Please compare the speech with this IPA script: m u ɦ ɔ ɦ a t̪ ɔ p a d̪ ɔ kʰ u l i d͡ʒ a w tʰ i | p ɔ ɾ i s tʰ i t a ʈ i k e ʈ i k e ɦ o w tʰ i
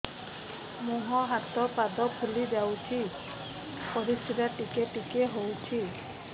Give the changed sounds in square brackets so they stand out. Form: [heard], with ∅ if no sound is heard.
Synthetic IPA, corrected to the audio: m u ɦ ɔ ɦ a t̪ ɔ p a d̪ ɔ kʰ u l i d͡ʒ a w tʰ i | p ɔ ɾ i s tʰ i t a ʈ i k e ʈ i k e ɦ o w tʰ i